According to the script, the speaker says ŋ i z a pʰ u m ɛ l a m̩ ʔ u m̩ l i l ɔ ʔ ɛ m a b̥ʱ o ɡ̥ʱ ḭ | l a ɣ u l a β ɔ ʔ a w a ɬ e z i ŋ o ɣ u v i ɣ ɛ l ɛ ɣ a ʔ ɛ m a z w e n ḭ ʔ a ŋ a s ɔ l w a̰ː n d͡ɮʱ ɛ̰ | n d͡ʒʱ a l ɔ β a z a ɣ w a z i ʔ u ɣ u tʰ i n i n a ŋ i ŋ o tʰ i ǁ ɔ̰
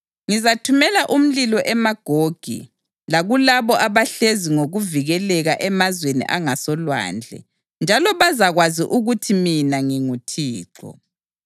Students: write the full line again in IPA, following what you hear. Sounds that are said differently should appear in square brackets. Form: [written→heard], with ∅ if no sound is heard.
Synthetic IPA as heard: ŋ i z a [pʰ→tʰ] u m ɛ l a [m̩→∅] ʔ u m̩ l i l ɔ ʔ ɛ m a [b̥ʱ→ɡ̥ʱ] o ɡ̥ʱ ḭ | l a ɣ u l a β ɔ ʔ a [w→β] a ɬ e z i ŋ o ɣ u v i ɣ ɛ l ɛ ɣ a ʔ ɛ m a z w e n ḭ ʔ a ŋ a s ɔ l w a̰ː n d͡ɮʱ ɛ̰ | n d͡ʒʱ a l ɔ β a z a ɣ w a z i ʔ u ɣ u tʰ i [n→m] i n a ŋ i ŋ [o→u] tʰ [i→iː] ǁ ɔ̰

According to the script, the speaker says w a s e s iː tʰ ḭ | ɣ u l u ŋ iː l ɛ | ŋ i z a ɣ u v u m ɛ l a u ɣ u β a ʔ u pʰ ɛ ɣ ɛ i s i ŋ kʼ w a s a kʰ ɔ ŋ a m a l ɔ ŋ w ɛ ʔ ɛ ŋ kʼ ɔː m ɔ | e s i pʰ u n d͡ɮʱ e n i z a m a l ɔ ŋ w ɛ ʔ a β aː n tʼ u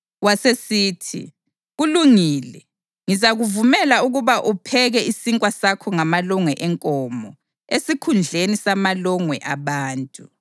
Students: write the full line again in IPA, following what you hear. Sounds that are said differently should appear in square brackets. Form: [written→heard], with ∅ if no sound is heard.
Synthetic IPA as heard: w a s e s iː tʰ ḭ | ɣ u l u ŋ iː l ɛ | ŋ i z a ɣ u v u m ɛ l a u ɣ u β a ʔ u pʰ ɛ ɣ ɛ i s i ŋ kʼ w a s a kʰ ɔ ŋ a m a l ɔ ŋ w ɛ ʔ ɛ ŋ kʼ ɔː m ɔ | e s i [pʰ→kʰ] u n d͡ɮʱ e n i [z→s] a m a l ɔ ŋ w ɛ ʔ a β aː n tʼ u

